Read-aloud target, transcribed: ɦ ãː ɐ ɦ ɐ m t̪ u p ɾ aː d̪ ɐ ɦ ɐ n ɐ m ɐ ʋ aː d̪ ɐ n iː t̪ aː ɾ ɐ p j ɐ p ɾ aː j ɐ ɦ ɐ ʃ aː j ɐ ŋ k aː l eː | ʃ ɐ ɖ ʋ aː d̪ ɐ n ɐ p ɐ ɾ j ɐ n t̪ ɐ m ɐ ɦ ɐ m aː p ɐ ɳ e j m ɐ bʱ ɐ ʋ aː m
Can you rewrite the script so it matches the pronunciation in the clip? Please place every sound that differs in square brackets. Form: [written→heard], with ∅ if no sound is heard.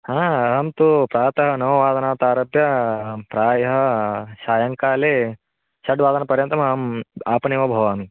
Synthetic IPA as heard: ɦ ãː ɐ ɦ ɐ m t̪ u p ɾ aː [d̪→t̪] ɐ ɦ ɐ n ɐ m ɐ ʋ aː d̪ ɐ n [iː→aː] t̪ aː ɾ ɐ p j ɐ p ɾ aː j ɐ ɦ ɐ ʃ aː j ɐ ŋ k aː l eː | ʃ ɐ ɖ ʋ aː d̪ ɐ n ɐ p ɐ ɾ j ɐ n t̪ ɐ m ɐ ɦ ɐ m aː p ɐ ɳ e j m ɐ bʱ ɐ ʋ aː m